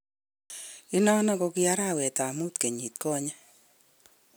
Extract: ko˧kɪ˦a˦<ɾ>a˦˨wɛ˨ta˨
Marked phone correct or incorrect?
correct